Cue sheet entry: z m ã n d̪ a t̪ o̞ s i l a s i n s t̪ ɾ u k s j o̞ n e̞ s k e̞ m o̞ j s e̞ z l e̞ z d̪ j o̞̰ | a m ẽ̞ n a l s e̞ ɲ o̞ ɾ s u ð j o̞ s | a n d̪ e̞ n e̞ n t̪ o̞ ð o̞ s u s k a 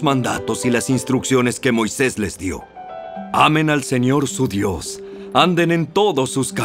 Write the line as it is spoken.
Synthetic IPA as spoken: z m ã n d̪ a t̪ o̞ s i l a s i n s t̪ ɾ u k s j o̞ n e̞ s k e̞ m o̞ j s e̞ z l e̞ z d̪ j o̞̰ | a m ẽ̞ n a l s e̞ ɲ o̞ ɾ s u ð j o̞ s | a n d̪ e̞ n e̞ n t̪ o̞ ð o̞ s u s k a